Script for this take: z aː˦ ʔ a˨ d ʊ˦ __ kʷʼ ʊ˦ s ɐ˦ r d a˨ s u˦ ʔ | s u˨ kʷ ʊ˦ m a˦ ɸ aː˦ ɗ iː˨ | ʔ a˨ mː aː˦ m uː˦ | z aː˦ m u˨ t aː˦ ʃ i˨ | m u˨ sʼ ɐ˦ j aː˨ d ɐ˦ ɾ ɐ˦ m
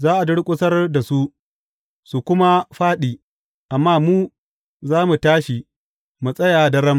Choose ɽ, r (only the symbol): ɽ